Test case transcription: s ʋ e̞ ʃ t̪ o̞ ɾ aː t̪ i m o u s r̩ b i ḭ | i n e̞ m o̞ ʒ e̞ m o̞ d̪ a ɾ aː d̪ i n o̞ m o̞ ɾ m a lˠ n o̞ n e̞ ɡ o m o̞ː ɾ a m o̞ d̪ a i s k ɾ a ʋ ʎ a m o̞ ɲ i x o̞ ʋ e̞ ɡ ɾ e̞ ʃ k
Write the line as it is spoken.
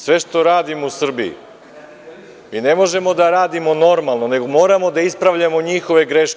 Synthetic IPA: s ʋ e̞ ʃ t̪ o̞ ɾ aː d̪ i m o u s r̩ b i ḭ | i n e̞ m o̞ ʒ e̞ m o̞ d̪ a ɾ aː d̪ i m o̞ n o̞ ɾ m a lˠ n o̞ n e̞ ɡ o m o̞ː ɾ a m o̞ d̪ a i s p ɾ a ʋ ʎ a m o̞ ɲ i x o̞ ʋ e̞ ɡ ɾ e̞ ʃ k